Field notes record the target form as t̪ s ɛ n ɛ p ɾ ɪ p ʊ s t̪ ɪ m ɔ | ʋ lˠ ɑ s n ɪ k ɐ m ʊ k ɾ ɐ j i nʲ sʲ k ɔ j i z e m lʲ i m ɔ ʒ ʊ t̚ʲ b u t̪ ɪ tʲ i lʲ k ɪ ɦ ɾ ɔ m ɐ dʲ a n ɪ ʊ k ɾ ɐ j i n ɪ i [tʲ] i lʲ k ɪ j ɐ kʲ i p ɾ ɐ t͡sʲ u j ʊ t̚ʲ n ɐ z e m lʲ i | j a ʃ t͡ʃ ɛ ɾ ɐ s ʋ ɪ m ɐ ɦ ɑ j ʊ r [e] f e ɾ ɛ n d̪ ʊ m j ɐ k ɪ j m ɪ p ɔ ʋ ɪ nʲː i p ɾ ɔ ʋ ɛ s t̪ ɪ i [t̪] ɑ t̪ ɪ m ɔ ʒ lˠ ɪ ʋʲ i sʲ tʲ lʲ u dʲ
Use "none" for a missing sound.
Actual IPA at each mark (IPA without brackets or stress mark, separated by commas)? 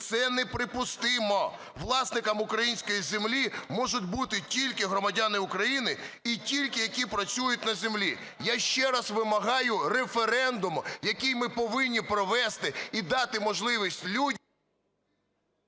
tʲ, e, d̪